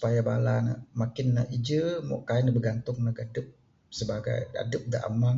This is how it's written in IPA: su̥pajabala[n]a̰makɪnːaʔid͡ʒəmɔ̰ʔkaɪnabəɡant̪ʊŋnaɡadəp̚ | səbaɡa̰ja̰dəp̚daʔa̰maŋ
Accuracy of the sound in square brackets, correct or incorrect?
correct